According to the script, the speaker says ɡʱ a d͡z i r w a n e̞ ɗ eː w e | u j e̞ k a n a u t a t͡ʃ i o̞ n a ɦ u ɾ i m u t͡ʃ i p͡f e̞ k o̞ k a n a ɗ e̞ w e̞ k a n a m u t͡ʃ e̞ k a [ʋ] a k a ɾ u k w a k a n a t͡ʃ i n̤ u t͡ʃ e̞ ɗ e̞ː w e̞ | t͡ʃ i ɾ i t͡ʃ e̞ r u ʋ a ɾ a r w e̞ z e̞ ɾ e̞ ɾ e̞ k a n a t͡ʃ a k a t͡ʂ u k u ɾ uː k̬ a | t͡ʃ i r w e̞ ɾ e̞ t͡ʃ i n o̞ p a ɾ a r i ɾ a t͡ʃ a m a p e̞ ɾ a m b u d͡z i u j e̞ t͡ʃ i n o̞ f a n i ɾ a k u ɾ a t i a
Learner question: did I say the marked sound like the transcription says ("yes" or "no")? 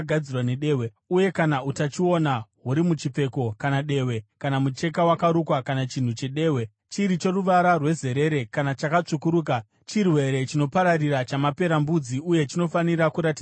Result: no